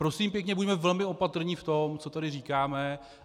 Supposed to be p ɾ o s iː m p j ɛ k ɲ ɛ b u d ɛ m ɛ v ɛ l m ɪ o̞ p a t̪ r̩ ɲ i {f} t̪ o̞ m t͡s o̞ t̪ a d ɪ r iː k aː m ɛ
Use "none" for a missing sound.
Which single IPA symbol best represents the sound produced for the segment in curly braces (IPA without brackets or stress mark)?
f